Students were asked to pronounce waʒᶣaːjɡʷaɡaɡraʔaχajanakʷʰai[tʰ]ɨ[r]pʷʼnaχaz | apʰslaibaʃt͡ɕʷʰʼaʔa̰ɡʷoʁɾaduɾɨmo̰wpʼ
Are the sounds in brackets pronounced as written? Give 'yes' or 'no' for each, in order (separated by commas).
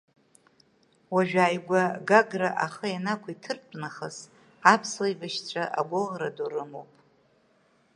yes, yes